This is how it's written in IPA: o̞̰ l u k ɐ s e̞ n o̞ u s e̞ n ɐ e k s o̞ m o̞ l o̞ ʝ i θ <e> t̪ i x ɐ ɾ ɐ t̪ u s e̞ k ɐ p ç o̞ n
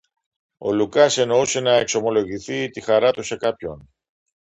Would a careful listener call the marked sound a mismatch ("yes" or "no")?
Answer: yes